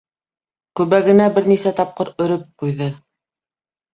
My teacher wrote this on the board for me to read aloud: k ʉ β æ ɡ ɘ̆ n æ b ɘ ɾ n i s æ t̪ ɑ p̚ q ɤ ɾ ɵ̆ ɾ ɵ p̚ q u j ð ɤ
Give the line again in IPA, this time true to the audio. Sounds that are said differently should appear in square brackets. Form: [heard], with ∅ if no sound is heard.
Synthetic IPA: k ʉ β æ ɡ ɘ̆ n æ b ɘ ɾ n i s æ t̪ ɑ p̚ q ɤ ɾ ɵ̆ ɾ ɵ p̚ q u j ð ɤ